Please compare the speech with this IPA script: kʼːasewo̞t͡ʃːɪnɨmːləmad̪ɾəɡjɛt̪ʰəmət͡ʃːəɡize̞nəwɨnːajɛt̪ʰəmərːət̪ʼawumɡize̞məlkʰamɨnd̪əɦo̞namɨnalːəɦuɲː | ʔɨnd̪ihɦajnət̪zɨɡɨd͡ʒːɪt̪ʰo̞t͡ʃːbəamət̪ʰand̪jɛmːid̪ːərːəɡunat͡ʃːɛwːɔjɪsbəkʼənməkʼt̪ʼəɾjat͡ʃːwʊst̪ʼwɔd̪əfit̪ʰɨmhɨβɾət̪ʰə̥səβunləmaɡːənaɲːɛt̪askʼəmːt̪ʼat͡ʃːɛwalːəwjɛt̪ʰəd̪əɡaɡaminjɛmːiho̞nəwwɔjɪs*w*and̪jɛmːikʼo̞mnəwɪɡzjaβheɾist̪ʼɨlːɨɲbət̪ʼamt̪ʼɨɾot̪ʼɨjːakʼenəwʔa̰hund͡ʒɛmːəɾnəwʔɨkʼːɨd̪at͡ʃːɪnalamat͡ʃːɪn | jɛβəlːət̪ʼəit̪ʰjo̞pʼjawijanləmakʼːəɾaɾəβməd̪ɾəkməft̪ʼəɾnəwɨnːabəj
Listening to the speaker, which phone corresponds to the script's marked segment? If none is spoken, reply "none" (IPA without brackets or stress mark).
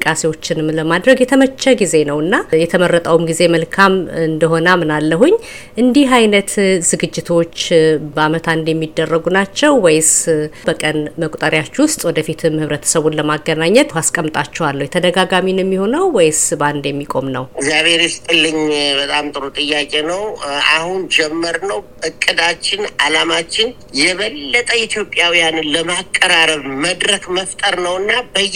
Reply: b